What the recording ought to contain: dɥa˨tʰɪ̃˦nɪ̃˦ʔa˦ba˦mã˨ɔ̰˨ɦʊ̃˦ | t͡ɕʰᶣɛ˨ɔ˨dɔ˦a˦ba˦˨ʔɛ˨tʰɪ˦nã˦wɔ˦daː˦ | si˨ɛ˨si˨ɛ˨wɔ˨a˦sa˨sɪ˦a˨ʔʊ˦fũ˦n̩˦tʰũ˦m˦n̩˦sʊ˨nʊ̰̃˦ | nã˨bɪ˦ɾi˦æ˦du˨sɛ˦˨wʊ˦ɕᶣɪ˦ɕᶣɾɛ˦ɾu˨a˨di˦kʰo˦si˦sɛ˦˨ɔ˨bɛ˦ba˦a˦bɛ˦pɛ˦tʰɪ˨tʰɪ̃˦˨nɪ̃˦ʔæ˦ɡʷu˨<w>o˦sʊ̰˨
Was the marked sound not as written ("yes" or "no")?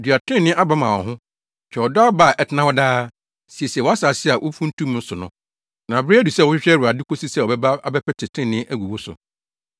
no